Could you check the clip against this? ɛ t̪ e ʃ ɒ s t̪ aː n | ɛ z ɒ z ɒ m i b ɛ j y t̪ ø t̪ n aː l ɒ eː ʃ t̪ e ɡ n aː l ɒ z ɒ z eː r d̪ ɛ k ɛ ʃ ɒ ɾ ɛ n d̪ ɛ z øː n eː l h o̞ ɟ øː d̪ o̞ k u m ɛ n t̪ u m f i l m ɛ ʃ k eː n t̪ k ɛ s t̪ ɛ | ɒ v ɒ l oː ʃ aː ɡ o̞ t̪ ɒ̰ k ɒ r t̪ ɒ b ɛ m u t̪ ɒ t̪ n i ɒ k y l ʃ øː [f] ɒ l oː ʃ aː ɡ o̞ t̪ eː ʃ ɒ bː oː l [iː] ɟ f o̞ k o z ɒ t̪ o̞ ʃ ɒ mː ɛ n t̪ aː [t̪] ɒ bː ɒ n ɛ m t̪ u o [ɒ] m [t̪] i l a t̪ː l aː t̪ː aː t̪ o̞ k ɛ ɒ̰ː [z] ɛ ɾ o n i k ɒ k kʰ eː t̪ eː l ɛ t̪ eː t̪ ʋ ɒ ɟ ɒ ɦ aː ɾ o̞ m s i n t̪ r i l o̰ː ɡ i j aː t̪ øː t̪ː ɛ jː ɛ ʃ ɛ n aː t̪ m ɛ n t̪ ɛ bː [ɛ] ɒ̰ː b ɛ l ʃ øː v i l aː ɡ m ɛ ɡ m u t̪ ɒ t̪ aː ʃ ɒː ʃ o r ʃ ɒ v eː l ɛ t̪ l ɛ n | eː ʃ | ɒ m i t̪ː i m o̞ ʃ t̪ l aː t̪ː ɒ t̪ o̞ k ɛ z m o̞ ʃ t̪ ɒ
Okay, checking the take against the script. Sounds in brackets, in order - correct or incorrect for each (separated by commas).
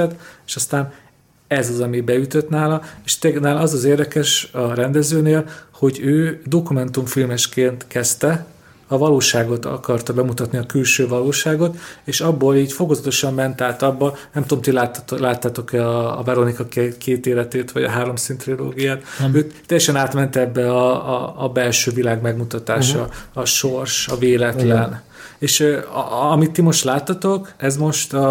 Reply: incorrect, correct, correct, incorrect, correct, incorrect, correct